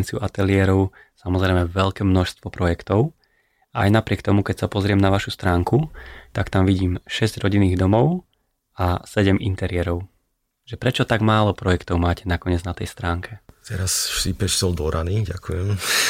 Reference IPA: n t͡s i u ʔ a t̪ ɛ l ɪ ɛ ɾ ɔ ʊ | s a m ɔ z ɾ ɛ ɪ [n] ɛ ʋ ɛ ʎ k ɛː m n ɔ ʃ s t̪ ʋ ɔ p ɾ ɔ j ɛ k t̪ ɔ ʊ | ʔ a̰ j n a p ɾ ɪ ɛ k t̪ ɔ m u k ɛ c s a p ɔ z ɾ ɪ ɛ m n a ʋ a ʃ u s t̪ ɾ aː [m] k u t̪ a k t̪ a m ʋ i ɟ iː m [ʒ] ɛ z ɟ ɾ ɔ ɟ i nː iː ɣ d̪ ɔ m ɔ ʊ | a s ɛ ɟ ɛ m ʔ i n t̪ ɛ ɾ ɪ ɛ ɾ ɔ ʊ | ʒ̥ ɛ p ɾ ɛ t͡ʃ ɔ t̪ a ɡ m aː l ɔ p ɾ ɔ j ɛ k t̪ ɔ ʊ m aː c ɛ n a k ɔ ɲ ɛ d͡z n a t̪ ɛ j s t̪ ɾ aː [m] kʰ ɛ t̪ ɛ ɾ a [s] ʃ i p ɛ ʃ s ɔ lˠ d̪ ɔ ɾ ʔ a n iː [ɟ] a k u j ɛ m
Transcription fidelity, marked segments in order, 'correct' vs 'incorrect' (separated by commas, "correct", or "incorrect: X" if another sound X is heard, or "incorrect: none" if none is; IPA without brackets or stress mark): incorrect: m, incorrect: ŋ, incorrect: ʃ, incorrect: ŋ, correct, correct